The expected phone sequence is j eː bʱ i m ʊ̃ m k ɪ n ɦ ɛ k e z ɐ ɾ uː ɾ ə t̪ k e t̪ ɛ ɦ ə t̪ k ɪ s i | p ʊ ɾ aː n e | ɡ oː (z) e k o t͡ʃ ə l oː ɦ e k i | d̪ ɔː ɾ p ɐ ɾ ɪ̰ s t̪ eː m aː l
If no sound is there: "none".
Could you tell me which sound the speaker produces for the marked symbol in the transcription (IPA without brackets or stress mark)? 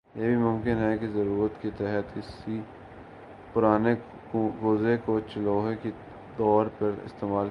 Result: z